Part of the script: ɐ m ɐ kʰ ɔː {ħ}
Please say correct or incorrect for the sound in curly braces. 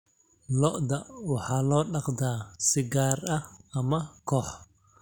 correct